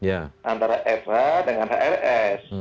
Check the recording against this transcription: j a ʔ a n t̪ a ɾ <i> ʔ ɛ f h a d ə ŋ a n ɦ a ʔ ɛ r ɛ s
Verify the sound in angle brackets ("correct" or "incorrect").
incorrect